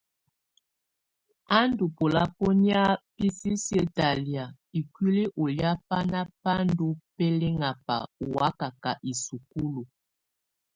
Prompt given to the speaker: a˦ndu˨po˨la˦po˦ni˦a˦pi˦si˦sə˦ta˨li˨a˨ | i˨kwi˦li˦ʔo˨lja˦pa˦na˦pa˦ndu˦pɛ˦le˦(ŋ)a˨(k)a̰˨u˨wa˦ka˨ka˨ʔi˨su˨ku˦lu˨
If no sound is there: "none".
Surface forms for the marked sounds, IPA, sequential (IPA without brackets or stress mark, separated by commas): ŋ, p